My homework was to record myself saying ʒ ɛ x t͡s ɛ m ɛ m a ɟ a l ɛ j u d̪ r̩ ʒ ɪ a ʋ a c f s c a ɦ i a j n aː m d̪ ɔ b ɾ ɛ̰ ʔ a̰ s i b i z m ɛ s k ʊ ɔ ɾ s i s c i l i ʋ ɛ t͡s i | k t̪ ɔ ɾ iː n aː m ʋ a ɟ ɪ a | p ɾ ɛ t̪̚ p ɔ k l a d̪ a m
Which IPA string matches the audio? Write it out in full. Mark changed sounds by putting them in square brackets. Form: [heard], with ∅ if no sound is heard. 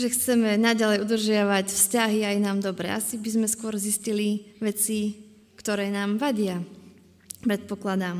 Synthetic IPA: ʒ ɛ x t͡s ɛ m ɛ [n] a ɟ a l ɛ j u d̪ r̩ ʒ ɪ a ʋ a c f s c a ɦ i a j n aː m d̪ ɔ b ɾ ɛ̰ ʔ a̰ s i b i z m ɛ s k ʊ ɔ ɾ [z] i s c i l i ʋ ɛ t͡s i | k t̪ ɔ ɾ [ɛː] n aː m ʋ a ɟ ɪ a | p ɾ ɛ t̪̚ p ɔ k l a d̪ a m